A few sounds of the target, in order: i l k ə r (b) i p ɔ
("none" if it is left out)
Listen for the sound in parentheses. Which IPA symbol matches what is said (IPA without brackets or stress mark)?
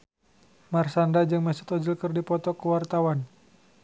d